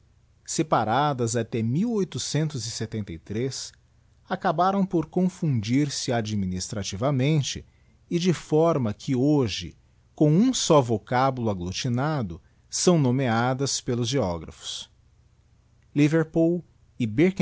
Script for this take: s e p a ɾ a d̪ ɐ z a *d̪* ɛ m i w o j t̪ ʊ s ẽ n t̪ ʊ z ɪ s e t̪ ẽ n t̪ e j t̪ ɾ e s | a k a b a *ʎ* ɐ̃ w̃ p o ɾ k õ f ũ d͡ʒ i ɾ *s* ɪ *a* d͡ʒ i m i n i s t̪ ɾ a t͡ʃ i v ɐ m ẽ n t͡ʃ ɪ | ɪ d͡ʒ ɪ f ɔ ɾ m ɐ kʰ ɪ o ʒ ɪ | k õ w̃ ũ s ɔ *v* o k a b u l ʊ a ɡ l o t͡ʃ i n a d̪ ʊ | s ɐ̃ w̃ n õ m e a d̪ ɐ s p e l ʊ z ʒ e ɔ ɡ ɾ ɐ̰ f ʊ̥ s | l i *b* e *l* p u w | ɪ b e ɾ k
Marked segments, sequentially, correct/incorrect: incorrect, incorrect, correct, correct, correct, incorrect, incorrect

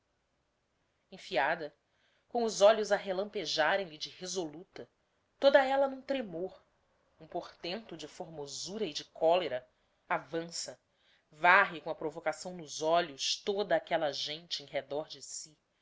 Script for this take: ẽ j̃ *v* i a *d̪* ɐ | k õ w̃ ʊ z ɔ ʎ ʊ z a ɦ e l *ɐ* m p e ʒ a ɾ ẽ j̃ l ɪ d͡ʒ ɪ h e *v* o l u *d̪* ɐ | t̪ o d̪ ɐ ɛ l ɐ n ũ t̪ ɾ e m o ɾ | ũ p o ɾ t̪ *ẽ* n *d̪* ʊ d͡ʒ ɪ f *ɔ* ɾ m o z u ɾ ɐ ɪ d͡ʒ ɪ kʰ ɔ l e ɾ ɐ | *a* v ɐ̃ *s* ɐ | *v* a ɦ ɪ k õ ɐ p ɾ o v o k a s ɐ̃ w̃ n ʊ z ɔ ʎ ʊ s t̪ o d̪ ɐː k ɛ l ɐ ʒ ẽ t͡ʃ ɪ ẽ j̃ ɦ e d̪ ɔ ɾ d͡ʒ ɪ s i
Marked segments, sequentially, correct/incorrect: incorrect, correct, incorrect, incorrect, incorrect, correct, incorrect, incorrect, correct, correct, correct

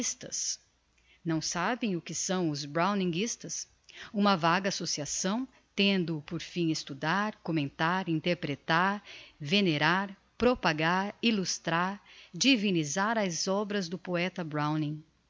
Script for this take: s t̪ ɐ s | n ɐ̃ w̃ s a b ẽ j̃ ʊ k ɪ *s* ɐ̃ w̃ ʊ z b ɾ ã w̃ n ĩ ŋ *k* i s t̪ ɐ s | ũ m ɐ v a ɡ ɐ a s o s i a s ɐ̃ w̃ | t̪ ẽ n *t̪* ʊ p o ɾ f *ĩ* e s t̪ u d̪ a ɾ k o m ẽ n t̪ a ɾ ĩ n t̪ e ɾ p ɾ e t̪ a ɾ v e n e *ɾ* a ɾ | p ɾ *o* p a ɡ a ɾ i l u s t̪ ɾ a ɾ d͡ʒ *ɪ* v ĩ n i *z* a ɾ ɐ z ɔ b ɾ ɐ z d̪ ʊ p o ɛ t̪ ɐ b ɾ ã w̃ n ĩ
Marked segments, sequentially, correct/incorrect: correct, incorrect, incorrect, correct, correct, correct, incorrect, correct

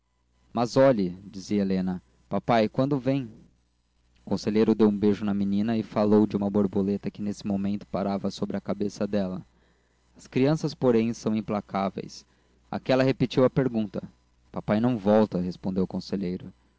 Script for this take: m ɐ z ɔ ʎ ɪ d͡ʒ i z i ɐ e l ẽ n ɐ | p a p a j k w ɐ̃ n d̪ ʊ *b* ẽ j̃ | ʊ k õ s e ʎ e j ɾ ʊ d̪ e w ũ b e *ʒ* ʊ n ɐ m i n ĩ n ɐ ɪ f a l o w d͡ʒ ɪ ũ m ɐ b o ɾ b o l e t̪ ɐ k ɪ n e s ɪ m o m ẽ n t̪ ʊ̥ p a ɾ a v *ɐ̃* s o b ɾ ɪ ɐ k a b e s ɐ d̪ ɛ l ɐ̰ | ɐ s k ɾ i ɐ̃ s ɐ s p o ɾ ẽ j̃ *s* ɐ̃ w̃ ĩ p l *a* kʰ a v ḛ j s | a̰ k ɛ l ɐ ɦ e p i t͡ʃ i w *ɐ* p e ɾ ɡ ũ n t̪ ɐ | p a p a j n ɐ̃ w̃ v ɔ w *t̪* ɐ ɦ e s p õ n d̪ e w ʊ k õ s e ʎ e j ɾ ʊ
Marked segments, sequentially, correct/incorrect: incorrect, correct, incorrect, correct, correct, correct, correct

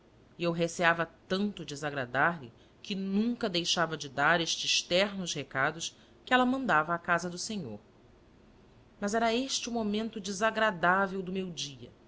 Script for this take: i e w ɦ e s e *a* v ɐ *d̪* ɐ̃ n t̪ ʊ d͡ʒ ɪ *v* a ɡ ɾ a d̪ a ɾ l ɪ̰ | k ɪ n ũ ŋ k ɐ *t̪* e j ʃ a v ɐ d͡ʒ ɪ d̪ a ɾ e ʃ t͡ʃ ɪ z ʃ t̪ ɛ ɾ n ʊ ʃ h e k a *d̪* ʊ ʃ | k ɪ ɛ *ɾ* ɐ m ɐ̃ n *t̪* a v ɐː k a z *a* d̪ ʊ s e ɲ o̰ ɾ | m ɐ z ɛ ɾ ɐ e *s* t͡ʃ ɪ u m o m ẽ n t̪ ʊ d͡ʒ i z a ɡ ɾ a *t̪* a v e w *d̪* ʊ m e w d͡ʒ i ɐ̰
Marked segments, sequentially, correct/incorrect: correct, incorrect, incorrect, incorrect, correct, incorrect, incorrect, incorrect, incorrect, incorrect, correct

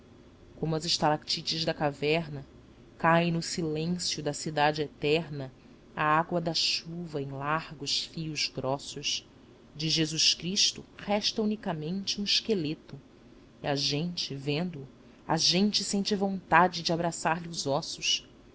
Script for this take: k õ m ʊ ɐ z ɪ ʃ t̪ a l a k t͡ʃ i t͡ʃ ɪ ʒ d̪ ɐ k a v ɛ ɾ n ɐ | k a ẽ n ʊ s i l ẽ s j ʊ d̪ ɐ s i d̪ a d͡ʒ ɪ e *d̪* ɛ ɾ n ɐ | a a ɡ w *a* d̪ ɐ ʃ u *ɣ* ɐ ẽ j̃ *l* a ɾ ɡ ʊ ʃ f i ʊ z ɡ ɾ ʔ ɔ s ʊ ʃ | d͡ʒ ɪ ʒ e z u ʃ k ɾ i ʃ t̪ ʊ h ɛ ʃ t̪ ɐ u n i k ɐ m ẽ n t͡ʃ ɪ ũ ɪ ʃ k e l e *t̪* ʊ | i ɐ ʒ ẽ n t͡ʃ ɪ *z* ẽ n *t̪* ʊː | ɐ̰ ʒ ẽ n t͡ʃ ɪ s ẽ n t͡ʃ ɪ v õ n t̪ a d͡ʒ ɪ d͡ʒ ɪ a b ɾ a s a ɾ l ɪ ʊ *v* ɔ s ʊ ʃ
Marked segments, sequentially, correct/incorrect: incorrect, incorrect, incorrect, correct, correct, incorrect, incorrect, incorrect

